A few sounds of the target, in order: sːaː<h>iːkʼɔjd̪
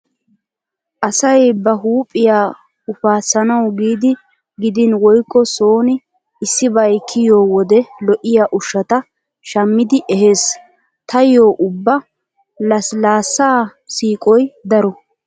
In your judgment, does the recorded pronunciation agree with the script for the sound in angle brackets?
no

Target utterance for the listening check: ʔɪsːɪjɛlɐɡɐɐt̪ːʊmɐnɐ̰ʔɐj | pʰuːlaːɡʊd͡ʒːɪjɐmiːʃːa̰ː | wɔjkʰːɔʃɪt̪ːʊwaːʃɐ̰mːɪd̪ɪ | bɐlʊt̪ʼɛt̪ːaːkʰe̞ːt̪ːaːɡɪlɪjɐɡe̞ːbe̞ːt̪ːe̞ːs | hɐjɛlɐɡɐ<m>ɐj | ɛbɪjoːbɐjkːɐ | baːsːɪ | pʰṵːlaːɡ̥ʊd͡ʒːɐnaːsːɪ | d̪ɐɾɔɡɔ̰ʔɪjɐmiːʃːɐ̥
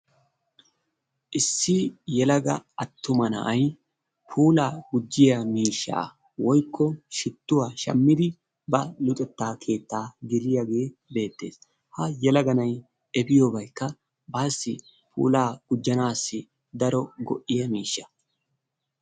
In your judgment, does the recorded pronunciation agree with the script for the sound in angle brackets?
no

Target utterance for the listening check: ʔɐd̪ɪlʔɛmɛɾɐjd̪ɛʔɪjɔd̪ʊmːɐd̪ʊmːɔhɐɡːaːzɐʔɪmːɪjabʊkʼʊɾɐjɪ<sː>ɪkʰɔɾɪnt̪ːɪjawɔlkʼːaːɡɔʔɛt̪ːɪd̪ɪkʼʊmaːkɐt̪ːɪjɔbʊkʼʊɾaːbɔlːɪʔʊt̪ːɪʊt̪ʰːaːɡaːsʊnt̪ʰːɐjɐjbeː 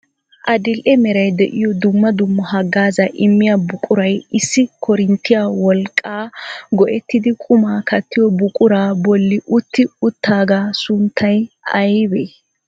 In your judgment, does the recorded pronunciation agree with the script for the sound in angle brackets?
yes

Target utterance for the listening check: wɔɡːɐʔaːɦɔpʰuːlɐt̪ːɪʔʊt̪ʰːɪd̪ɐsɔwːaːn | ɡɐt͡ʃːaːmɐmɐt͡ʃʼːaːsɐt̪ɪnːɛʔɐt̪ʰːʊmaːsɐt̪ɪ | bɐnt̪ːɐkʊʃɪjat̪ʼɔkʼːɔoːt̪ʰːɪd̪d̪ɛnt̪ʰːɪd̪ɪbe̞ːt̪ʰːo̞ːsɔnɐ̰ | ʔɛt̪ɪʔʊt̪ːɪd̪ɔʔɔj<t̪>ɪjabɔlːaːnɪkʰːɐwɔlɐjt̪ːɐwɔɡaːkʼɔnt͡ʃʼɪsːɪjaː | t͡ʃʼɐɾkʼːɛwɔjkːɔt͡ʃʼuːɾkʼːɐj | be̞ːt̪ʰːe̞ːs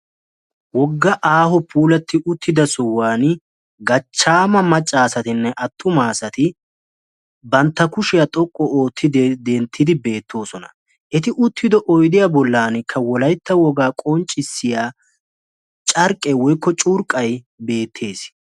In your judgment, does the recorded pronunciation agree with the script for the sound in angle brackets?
no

